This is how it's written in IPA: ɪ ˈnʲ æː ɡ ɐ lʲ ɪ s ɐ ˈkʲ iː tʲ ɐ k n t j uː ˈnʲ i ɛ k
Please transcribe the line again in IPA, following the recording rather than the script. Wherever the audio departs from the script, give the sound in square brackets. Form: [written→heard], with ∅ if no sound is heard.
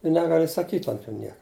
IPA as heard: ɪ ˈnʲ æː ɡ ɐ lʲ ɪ s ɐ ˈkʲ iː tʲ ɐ [k→∅] n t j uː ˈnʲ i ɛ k